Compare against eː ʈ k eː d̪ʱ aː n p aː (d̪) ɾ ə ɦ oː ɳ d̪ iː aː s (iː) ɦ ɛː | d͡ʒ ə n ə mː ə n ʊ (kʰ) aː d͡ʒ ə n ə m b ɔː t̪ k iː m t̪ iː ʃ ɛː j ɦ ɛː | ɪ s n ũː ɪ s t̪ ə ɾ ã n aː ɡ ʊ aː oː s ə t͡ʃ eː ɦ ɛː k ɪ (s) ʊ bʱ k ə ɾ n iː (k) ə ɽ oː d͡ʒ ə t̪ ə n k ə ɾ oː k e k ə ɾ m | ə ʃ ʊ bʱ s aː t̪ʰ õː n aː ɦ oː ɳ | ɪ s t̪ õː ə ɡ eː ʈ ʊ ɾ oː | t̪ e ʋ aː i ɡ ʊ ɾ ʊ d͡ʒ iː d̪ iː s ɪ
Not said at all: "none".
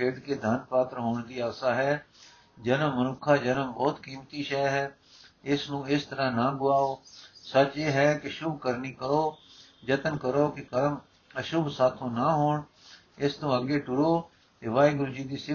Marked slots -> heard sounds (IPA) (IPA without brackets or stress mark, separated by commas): t̪, aː, kʰ, ʃ, k